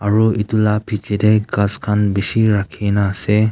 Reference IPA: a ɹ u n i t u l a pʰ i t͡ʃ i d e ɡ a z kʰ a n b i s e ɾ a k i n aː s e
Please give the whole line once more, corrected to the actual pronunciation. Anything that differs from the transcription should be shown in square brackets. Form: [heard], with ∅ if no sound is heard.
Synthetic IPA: a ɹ u [∅] i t u l a pʰ i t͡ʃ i d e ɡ a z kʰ a n b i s [i] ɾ a [kʰ] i n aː s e

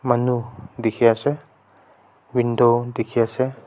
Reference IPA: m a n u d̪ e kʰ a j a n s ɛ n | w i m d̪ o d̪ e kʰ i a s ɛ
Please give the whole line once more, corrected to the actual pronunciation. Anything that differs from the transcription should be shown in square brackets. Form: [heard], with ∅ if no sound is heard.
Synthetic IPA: m a n u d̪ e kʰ [i] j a [∅] s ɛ [∅] | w i [n] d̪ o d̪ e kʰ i a s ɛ

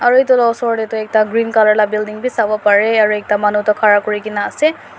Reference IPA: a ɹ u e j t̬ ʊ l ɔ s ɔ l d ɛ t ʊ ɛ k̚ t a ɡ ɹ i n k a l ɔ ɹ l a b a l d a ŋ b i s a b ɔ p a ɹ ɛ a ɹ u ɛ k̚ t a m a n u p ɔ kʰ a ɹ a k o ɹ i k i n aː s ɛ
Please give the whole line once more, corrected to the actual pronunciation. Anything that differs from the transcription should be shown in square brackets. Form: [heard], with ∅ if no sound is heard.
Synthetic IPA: a ɹ u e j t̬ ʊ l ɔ s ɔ [ɹ] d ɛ t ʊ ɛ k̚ t a ɡ ɹ i n k a l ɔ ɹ l a b [i] l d [i] ŋ b i s a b ɔ p a ɹ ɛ a ɹ u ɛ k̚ t a m a n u [t] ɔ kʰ a ɹ a k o ɹ i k i n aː s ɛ

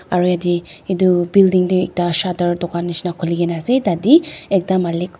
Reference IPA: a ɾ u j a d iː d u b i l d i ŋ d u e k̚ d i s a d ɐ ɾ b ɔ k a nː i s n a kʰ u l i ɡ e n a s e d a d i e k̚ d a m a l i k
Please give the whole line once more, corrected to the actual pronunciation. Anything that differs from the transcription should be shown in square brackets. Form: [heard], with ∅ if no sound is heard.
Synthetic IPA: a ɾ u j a d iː d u b i l d i ŋ d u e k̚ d [a] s a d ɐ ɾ [d] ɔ k a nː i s n a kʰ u l i ɡ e n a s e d a d i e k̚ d a m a l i k

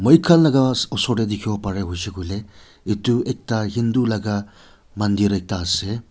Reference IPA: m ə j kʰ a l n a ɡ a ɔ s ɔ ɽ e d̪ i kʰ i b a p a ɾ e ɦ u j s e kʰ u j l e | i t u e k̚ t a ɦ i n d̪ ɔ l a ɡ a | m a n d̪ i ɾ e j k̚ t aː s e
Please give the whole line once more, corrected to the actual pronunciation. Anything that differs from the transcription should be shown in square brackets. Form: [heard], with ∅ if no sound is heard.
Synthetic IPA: m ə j kʰ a l n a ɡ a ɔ s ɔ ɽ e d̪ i kʰ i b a p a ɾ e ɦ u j s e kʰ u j l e | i t u e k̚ t a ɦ i n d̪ [u] l a ɡ a | m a n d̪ i ɾ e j k̚ t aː s e

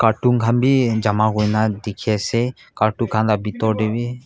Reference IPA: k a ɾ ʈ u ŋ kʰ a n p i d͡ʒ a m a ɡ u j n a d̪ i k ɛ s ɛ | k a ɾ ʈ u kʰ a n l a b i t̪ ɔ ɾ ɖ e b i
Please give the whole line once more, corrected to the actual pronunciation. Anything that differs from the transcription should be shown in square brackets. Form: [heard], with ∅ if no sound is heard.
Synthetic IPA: k a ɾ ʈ u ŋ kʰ a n [b] i d͡ʒ a m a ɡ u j n a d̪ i [kʰ] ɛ s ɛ | k a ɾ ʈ u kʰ a n l a b i t̪ ɔ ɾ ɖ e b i

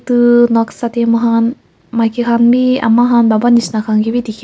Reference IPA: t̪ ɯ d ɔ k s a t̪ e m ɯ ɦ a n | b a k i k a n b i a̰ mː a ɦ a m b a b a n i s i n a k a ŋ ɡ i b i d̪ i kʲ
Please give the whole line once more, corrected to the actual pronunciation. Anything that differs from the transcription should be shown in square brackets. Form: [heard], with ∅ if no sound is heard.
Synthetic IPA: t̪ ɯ [n] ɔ k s a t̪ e m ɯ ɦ a n | [m] a k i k a n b i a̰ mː a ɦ a [n] b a b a n i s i n a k a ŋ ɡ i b i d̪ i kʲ

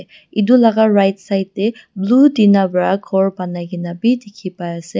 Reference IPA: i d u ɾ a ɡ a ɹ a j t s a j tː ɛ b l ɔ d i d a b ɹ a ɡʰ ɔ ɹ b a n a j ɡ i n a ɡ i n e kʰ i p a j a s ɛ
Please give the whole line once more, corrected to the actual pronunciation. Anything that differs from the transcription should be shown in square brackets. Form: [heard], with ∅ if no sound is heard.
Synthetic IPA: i d u [l] a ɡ a ɹ a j t s a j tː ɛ b l [u] d i [n] a b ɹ a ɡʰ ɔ ɹ b a n a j ɡ i n a [b] i [d] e kʰ i p a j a s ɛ

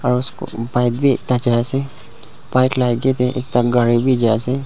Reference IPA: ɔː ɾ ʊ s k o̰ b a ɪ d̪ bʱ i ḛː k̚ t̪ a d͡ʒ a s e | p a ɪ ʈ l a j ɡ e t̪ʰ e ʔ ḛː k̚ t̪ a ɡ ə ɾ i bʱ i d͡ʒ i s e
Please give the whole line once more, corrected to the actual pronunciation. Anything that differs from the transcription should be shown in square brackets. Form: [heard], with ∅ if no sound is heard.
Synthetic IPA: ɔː ɾ ʊ s k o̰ b a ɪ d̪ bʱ i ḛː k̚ t̪ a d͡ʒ a s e | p a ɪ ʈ l a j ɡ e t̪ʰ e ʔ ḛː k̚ t̪ a ɡ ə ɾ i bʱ i d͡ʒ [a] s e

